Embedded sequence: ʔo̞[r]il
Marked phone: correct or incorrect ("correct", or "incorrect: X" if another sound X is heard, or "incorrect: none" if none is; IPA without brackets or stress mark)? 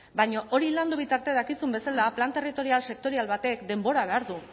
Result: incorrect: ɾ